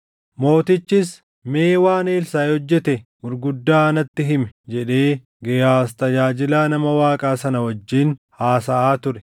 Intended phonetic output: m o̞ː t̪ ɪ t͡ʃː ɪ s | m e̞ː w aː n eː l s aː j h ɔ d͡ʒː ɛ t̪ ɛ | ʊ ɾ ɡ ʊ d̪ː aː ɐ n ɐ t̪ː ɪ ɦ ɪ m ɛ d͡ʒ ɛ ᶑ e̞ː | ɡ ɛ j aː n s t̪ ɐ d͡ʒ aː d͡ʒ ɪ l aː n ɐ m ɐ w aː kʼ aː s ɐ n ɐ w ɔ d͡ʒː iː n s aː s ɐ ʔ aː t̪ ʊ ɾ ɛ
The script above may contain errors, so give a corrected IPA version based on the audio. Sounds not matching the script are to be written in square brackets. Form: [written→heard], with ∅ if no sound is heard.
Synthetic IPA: m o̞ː t̪ ɪ t͡ʃː ɪ s | m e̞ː w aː n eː l s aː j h ɔ d͡ʒː ɛ t̪ ɛ | ʊ ɾ ɡ ʊ d̪ː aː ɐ n ɐ t̪ː ɪ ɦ ɪ m ɛ d͡ʒ ɛ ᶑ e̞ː | ɡ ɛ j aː [n→∅] s t̪ ɐ d͡ʒ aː d͡ʒ ɪ l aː n ɐ m ɐ w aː kʼ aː s ɐ n ɐ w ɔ d͡ʒː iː n [s→h] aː s ɐ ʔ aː t̪ ʊ ɾ ɛ